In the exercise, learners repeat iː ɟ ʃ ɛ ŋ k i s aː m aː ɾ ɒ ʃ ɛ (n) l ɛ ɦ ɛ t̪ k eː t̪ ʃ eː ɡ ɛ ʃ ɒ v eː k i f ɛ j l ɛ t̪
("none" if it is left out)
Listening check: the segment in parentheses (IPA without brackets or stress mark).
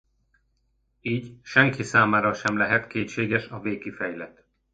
m